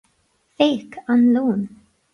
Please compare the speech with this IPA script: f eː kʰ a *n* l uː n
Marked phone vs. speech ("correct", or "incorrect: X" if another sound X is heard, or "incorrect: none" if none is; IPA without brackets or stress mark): correct